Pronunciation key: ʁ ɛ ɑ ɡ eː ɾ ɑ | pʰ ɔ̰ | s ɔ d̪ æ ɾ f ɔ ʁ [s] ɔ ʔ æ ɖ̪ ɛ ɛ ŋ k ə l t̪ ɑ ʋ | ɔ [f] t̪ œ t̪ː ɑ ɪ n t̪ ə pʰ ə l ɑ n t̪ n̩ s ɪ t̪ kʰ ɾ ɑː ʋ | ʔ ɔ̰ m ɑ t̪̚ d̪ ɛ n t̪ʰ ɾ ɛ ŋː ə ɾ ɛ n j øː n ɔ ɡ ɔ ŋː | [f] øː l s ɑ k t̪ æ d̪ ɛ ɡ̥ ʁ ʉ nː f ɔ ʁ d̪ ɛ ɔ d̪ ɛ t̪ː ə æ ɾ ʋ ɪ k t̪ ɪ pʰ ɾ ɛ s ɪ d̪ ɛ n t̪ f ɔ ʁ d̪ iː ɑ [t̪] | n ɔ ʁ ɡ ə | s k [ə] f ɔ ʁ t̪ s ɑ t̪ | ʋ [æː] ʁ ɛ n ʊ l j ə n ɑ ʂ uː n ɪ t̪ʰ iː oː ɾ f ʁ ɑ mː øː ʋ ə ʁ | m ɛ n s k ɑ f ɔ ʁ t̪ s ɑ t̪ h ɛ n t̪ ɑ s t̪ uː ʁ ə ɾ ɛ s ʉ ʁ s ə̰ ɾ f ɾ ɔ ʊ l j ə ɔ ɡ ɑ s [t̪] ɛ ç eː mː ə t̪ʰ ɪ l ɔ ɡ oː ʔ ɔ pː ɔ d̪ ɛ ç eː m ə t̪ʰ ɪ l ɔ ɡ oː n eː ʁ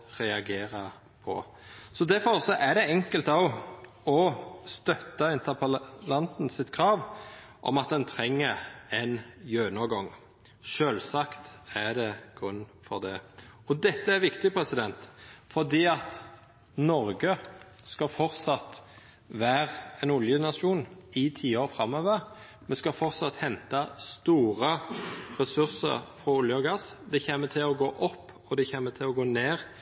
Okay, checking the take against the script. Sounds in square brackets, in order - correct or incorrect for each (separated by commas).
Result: correct, incorrect, incorrect, correct, incorrect, correct, incorrect